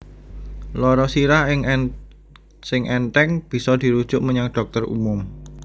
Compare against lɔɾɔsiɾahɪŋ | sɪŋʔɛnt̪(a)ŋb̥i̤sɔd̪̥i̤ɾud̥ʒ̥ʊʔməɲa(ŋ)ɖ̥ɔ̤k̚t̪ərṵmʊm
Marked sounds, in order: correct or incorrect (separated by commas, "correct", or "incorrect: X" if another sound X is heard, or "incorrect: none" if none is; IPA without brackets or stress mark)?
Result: incorrect: ɛ, correct